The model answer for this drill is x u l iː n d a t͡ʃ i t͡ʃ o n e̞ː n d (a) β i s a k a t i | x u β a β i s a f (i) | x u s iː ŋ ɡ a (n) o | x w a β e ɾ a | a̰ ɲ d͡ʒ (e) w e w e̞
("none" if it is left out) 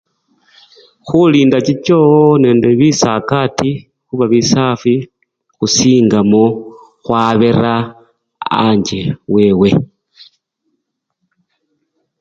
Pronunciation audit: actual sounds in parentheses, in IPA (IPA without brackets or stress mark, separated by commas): e, i, m, e